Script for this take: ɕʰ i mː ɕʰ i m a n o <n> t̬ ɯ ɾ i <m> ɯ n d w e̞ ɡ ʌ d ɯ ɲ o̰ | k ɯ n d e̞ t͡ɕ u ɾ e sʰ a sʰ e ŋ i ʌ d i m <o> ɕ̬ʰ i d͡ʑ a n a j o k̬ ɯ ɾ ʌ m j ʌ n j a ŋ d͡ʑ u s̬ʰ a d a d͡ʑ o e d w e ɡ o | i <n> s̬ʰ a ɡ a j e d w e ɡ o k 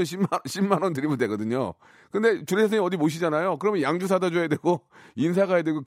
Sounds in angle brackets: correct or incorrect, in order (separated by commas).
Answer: correct, correct, correct, correct